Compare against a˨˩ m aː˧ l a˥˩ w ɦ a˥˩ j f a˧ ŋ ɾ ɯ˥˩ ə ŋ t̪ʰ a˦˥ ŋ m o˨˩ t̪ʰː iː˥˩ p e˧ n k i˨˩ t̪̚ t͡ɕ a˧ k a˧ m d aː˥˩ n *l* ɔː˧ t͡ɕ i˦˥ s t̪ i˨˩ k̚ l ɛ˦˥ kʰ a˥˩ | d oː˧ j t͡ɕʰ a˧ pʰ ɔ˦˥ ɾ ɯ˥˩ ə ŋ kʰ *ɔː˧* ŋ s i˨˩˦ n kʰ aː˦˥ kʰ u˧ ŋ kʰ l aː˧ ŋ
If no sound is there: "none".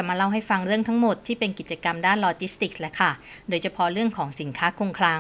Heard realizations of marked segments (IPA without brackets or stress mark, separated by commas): l, ɔː˩˦